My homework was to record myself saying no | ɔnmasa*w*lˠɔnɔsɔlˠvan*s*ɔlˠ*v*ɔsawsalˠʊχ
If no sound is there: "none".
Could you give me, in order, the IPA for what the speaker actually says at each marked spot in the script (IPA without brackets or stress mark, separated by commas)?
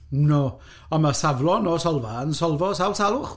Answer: v, s, v